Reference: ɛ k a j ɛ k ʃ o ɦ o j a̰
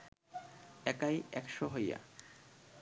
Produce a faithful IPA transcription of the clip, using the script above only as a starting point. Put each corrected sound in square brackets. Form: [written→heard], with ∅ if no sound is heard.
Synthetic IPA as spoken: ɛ k a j ɛ k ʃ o ɦ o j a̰